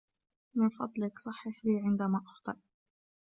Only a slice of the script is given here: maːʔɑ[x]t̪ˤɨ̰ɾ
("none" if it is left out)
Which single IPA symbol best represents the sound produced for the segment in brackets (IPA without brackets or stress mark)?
x